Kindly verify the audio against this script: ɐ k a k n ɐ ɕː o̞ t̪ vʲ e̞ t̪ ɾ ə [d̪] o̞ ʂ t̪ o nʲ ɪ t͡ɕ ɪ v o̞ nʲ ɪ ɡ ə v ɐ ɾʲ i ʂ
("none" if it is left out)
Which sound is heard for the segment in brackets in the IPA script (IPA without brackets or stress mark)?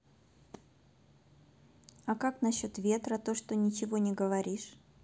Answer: t̪